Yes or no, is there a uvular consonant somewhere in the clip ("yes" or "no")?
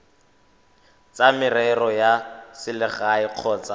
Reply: yes